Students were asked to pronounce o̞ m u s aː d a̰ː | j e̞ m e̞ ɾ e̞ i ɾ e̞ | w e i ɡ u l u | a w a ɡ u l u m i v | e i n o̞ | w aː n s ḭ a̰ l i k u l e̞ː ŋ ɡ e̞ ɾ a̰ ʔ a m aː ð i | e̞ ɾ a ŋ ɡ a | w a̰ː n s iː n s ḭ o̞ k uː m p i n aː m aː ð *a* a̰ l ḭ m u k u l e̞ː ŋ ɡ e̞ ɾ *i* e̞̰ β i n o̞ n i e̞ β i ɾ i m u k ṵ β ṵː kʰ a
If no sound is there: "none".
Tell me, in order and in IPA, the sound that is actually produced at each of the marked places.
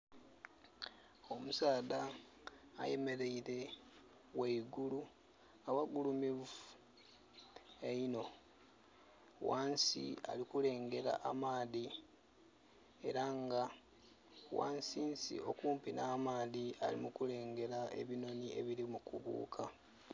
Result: i, a

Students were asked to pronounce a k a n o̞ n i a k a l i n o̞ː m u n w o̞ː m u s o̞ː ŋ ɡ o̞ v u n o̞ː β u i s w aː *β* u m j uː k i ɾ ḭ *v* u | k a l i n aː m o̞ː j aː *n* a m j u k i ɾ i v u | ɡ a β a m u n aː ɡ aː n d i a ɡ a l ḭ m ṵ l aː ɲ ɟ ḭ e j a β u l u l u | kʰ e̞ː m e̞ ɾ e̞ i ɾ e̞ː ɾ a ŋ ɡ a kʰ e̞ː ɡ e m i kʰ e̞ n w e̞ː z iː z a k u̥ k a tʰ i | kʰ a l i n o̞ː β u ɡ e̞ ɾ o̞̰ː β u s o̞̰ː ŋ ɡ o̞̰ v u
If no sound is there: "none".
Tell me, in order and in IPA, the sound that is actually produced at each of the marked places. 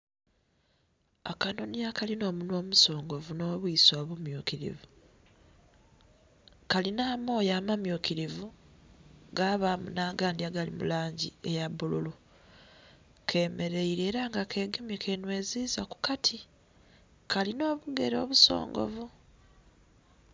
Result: β, v, m

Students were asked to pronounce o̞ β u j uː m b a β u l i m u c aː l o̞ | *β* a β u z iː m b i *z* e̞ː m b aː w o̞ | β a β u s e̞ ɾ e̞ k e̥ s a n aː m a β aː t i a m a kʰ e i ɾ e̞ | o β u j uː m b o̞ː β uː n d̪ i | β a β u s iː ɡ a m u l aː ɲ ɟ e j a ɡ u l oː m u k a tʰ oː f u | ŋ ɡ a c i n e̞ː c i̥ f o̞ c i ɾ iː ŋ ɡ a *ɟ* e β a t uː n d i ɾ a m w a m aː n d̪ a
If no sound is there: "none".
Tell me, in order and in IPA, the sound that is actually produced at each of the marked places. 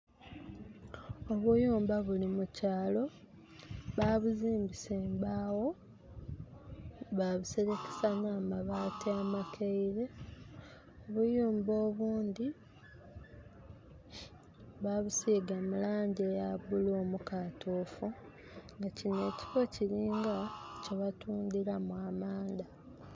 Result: β, s, c

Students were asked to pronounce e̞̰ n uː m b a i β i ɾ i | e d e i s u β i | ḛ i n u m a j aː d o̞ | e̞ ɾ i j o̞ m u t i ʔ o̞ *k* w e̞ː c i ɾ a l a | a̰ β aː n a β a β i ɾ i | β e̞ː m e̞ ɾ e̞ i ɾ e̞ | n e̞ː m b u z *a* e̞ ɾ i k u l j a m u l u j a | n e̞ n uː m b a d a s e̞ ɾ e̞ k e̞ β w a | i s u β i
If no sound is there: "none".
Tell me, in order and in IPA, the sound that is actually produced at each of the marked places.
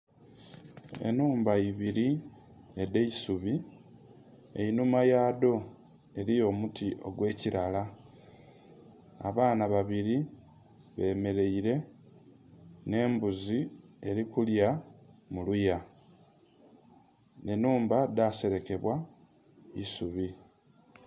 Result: ɡ, i

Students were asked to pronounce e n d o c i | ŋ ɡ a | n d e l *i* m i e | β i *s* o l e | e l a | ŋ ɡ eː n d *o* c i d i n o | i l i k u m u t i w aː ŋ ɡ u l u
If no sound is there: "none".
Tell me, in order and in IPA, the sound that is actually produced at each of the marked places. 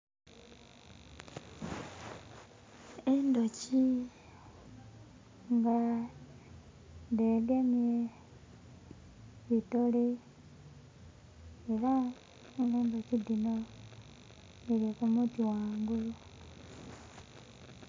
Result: e, t, o

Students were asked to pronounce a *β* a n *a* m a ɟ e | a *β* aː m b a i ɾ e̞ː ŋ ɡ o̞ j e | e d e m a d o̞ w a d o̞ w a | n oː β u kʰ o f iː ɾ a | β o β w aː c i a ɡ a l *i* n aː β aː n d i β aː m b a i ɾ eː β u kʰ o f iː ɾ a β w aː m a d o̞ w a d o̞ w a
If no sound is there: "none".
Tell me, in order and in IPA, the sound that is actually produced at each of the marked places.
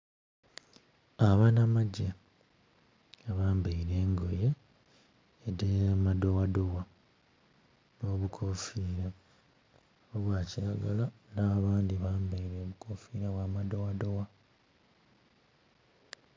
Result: β, a, β, a

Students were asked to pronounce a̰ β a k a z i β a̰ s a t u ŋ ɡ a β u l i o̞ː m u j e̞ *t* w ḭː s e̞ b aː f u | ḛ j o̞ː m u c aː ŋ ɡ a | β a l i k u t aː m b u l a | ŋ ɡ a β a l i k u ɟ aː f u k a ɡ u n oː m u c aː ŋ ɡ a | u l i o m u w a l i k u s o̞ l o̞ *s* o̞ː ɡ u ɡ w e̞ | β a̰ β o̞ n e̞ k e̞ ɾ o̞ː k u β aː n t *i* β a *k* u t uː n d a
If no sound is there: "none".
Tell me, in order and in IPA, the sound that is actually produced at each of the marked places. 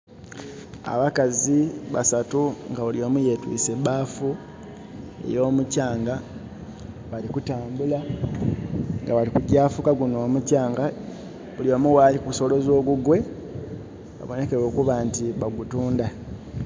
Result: t, z, i, ɡ

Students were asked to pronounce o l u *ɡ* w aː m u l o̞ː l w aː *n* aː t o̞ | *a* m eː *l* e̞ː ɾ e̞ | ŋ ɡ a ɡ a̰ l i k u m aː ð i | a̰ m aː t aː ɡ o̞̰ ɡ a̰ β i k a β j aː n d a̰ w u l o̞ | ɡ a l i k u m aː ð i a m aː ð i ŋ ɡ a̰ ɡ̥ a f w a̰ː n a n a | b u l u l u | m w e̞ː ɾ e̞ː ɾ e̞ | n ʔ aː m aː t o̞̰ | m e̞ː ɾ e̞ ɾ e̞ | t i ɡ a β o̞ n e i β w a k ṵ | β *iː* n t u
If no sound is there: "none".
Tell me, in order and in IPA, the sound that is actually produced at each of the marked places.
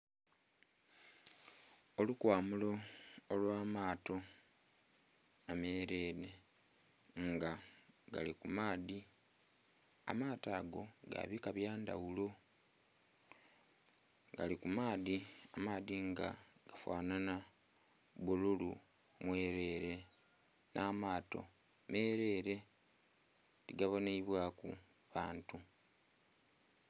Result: k, m, a, ɾ, aː

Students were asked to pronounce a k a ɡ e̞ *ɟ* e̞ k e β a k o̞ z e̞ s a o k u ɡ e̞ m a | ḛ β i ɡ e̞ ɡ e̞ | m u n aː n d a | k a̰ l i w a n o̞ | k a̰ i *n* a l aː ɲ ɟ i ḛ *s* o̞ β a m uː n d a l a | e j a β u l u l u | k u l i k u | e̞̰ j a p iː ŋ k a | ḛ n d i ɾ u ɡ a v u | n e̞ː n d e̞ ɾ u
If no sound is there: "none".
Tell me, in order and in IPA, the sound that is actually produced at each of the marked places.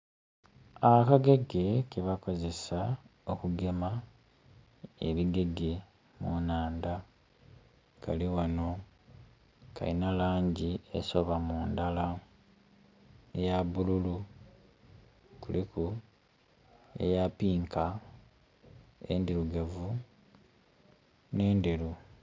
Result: ɡ, n, s

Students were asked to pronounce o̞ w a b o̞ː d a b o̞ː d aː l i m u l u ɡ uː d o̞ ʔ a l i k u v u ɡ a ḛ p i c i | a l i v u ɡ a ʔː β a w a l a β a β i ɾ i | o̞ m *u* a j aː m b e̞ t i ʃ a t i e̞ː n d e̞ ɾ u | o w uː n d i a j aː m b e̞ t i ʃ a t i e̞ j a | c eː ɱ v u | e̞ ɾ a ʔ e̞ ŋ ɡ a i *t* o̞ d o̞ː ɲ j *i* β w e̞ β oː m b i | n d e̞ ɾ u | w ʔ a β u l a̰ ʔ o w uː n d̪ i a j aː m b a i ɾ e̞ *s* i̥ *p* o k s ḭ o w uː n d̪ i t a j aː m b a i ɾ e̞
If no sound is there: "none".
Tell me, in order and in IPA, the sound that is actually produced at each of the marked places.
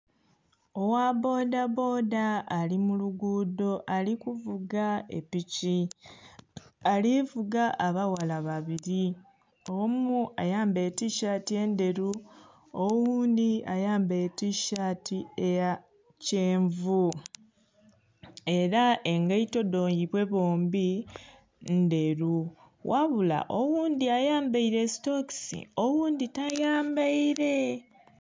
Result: u, t, i, s, t

